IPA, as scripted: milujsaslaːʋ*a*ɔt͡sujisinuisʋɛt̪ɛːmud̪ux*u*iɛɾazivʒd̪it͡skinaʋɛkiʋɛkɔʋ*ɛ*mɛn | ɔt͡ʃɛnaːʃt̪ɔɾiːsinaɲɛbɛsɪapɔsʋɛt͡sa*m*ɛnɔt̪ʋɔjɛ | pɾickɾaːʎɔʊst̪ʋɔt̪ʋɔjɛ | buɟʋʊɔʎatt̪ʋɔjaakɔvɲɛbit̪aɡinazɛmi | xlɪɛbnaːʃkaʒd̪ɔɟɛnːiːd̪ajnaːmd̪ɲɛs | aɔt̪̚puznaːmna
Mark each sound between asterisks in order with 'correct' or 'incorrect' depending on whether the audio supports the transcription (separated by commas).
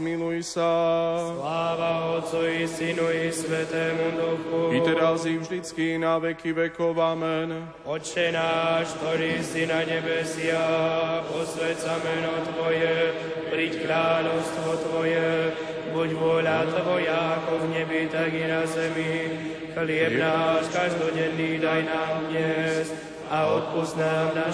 correct, correct, incorrect, correct